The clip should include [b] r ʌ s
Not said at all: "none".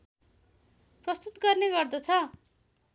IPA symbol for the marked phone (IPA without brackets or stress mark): p